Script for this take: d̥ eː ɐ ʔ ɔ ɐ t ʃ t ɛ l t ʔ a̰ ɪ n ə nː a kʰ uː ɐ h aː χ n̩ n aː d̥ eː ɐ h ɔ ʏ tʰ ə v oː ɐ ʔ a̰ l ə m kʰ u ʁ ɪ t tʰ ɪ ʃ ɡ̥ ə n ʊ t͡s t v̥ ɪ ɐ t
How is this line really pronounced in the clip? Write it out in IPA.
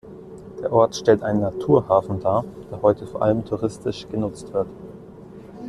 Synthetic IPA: d̥ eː ɐ ʔ ɔ ɐ t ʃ t ɛ l t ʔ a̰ ɪ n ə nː a tʰ uː ɐ h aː f n̩ d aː d̥ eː ɐ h ɔ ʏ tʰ ə f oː ɐ ʔ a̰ l ə m tʰ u ʁ ɪ s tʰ ɪ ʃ ɡ̥ ə n ʊ t͡s t v̥ ɪ ɐ t